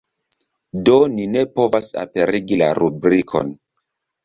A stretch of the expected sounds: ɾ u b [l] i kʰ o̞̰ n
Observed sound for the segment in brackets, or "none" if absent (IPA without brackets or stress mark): ɾ